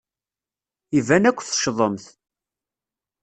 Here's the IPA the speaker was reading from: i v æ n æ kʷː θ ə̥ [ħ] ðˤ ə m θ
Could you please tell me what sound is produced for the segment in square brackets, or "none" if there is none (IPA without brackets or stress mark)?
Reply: ʃ